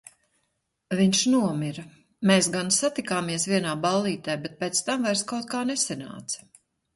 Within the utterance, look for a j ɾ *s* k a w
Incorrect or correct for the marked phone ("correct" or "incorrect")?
correct